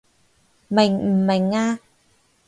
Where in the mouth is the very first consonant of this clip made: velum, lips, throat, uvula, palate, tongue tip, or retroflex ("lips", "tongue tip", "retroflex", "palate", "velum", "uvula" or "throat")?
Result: lips